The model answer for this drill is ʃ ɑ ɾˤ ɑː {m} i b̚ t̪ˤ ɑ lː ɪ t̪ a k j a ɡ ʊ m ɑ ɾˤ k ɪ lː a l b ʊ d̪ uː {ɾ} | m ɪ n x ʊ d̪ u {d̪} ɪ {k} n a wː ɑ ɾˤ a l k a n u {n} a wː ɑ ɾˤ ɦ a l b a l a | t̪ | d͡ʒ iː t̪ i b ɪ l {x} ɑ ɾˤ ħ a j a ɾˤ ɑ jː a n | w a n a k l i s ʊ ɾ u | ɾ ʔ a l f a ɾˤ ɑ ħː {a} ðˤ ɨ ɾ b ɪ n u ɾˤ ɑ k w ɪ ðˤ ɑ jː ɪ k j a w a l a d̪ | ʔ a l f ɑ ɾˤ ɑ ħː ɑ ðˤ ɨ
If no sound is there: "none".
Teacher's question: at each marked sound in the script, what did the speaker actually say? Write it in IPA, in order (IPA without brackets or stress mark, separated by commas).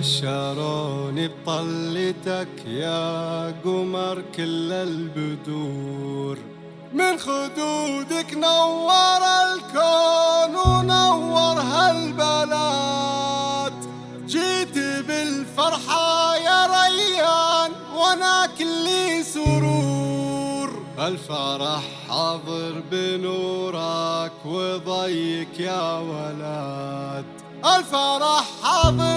n, ɾ, d̪, k, n, f, ɑ